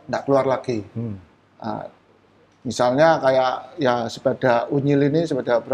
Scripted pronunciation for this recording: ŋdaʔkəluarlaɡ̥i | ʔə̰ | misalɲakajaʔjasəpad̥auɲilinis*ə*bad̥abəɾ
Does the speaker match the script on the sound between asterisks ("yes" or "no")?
yes